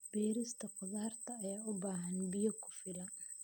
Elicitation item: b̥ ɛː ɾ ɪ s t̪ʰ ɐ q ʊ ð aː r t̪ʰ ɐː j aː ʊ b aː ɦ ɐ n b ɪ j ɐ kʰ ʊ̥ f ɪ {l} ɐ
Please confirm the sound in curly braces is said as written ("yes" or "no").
yes